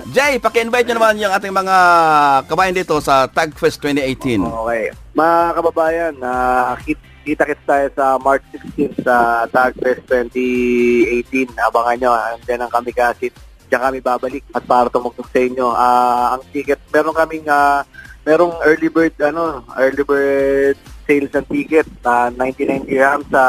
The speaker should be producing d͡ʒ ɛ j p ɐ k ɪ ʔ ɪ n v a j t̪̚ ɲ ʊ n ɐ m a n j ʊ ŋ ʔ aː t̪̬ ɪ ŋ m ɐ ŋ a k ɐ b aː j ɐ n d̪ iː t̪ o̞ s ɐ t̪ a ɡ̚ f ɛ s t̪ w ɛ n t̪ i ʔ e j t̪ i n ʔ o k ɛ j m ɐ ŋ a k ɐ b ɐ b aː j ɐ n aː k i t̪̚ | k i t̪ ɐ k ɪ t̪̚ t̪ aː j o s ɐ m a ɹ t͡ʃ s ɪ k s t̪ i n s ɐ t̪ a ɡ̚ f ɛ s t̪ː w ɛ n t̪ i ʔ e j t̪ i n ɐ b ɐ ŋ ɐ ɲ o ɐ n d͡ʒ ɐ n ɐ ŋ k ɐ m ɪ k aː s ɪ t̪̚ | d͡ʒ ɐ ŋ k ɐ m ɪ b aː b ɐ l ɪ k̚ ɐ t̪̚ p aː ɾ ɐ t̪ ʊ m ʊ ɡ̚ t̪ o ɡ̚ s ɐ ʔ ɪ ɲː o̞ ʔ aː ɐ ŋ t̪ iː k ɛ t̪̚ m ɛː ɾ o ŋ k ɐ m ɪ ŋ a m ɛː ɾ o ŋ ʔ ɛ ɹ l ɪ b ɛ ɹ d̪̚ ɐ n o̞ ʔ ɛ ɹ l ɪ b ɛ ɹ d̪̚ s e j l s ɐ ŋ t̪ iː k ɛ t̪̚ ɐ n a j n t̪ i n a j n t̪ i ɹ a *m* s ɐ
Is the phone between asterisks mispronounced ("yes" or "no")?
no